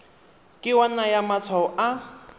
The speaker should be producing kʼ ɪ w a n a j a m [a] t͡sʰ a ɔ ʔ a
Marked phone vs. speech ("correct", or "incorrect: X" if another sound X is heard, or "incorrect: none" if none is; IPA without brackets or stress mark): correct